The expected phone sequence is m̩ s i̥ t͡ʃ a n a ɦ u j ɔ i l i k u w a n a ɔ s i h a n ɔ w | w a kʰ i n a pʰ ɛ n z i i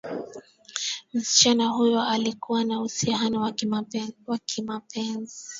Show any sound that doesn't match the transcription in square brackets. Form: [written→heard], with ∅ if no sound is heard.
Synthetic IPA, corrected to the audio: m̩ s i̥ t͡ʃ a n a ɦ u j ɔ [i→a] l i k u w a n a [ɔ→u] s i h a n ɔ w | w a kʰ i [n→m] a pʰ ɛ n z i i